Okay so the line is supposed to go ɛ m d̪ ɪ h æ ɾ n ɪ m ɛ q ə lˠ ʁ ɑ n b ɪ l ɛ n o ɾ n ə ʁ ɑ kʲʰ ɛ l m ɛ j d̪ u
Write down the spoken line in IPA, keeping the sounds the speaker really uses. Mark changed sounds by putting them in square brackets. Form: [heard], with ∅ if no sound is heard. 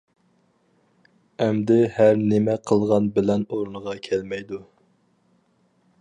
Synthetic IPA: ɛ m d̪ ɪ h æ ɾ n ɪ m ɛ [qʰ] ə lˠ ʁ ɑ n b ɪ l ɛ n o ɾ n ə ʁ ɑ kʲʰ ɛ l m ɛ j d̪ u